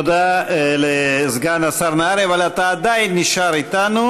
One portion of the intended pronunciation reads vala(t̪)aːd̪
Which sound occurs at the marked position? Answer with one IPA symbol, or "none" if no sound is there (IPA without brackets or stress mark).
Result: t̪